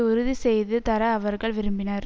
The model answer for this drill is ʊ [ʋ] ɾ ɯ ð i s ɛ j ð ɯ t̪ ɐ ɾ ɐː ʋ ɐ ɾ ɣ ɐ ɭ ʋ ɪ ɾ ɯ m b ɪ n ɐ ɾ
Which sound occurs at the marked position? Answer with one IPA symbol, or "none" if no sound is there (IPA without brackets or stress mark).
none